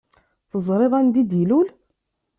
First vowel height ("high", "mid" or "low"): mid